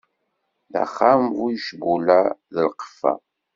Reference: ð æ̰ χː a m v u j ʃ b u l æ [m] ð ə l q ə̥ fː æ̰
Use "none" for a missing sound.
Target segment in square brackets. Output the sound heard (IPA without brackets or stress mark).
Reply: none